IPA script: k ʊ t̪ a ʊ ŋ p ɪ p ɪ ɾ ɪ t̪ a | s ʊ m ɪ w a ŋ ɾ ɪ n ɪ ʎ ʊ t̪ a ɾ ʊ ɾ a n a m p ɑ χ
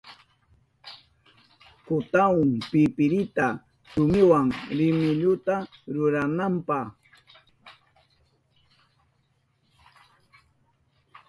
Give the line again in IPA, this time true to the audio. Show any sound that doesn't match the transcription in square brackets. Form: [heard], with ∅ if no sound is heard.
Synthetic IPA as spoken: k ʊ t̪ a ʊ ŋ p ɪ p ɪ ɾ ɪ t̪ a | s ʊ m ɪ w a ŋ ɾ ɪ [m] ɪ ʎ ʊ t̪ a ɾ ʊ ɾ a n a m p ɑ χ